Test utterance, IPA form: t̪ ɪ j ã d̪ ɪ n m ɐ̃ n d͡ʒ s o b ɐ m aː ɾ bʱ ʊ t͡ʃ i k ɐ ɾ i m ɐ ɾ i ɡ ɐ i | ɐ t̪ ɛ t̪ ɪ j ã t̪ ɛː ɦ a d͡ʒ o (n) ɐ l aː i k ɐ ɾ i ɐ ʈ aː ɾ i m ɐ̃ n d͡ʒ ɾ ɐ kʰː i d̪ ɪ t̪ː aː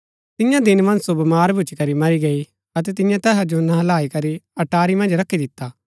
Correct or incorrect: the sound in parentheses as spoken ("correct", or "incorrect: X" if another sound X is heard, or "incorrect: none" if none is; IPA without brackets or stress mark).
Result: correct